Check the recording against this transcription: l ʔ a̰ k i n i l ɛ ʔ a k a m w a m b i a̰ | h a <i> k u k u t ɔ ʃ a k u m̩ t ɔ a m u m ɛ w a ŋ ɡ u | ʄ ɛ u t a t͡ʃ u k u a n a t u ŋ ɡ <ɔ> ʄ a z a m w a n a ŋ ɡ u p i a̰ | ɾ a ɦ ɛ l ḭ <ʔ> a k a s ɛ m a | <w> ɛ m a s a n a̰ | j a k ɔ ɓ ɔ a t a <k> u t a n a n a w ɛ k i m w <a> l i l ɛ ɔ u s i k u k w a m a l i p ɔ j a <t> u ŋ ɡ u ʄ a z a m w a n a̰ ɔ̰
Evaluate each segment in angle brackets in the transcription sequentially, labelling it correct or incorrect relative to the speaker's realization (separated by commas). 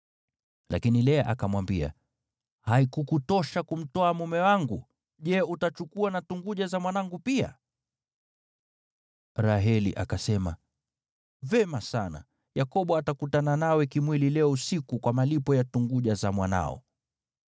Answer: correct, incorrect, correct, incorrect, correct, incorrect, correct